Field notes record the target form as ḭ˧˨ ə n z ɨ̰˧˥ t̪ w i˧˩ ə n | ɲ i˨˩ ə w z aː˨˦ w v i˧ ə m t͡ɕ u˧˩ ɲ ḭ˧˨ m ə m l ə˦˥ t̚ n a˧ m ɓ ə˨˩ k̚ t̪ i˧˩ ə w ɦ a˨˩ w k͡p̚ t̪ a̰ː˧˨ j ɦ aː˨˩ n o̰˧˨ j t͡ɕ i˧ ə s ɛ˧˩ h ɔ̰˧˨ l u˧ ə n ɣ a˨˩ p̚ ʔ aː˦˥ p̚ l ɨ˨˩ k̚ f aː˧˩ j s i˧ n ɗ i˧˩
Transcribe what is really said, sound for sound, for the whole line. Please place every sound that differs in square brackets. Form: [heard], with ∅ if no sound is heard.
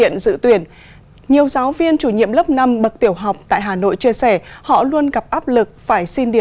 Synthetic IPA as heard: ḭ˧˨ ə n z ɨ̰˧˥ t̪ w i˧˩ ə n | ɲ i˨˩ ə w z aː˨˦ w v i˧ ə [n] t͡ɕ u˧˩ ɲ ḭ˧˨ [∅] ə m l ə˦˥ [p̚] n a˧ m ɓ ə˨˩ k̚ t̪ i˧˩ ə w ɦ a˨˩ w k͡p̚ t̪ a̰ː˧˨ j ɦ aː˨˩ n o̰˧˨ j t͡ɕ i˧ ə s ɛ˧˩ h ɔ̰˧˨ l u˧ ə n ɣ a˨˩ p̚ ʔ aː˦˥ p̚ l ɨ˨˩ k̚ f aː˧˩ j s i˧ n ɗ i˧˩